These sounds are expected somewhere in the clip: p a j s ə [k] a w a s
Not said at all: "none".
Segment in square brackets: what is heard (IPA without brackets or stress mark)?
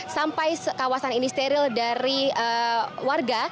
k